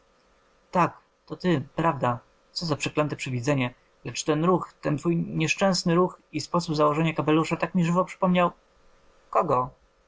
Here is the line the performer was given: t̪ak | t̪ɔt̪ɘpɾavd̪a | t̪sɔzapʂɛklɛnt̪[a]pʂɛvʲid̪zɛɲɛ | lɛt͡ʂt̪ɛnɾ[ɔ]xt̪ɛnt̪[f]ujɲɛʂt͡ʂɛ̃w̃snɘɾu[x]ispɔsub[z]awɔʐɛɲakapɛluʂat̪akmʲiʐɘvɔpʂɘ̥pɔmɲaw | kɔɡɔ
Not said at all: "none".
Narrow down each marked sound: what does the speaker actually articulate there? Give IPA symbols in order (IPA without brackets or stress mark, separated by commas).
ɛ, u, f, x, z